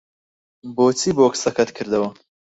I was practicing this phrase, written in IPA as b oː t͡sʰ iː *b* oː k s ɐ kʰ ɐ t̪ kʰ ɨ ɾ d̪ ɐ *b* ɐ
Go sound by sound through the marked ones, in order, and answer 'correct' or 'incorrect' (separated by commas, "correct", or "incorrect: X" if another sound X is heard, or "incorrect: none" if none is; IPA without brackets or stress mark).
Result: correct, incorrect: w